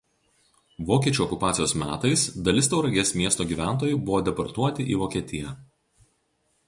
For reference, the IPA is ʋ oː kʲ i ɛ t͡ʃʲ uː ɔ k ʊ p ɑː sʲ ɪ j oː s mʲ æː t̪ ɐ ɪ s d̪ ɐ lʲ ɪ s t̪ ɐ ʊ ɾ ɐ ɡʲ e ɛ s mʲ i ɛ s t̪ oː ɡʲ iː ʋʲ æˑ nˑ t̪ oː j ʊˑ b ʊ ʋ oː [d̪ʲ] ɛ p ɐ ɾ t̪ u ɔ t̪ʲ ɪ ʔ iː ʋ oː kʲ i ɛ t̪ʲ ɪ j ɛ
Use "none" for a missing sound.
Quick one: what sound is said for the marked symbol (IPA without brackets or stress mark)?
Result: d̪ʲ